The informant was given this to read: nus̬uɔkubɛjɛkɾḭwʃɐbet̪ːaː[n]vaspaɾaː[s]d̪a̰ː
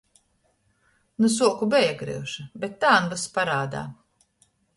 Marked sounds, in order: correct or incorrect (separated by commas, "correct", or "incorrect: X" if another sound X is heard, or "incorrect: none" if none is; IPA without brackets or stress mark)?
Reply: correct, incorrect: none